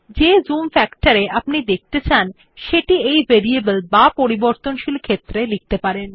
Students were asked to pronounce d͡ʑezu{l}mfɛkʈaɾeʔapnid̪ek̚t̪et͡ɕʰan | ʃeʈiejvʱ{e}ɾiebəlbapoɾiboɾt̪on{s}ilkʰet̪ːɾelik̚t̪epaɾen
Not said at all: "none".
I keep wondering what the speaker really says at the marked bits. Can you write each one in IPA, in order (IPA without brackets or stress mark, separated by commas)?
none, e, ʃ